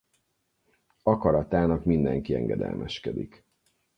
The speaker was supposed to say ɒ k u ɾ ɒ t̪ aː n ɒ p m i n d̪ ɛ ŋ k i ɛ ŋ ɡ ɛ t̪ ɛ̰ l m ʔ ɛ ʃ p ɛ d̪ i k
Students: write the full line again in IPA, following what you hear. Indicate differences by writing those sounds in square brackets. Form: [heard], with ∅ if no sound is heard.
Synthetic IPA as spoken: ɒ k [ɒ] ɾ ɒ t̪ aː n ɒ [k] m i n d̪ ɛ ŋ k i ɛ ŋ ɡ ɛ [d̪] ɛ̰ l m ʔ ɛ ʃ [k] ɛ d̪ i k